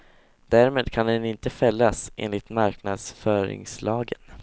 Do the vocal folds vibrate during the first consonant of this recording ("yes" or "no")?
yes